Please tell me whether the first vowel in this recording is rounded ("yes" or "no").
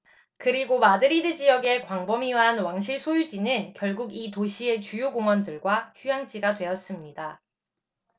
no